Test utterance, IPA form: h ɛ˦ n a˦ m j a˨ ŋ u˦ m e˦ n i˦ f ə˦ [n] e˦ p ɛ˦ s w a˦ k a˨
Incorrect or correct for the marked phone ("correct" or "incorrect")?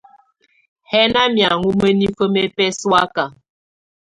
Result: incorrect